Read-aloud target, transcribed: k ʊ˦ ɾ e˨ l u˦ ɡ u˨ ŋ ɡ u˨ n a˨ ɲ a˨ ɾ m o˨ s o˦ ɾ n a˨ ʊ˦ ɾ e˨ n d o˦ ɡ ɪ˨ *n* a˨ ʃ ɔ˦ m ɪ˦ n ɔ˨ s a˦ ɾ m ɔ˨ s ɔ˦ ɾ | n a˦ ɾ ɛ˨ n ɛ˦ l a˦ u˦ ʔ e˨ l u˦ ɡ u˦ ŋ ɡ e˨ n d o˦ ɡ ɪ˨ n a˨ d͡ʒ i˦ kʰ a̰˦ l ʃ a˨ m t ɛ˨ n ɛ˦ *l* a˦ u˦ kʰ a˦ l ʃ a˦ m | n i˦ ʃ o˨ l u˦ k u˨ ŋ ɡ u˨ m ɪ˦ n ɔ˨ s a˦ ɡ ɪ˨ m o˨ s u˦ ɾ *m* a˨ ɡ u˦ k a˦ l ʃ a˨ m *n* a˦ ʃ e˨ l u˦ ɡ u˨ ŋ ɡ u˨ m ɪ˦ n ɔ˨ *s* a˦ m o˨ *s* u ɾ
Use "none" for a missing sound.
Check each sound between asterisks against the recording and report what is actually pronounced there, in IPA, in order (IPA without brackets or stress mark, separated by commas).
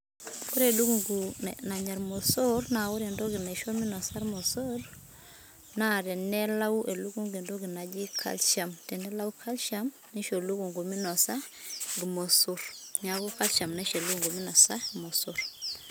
n, l, ɲ, n, s, s